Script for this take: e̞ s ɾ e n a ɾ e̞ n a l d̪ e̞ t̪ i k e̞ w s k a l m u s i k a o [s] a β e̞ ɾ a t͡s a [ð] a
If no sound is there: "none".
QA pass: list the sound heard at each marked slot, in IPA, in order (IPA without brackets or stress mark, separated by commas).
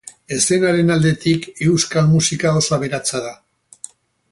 s, ð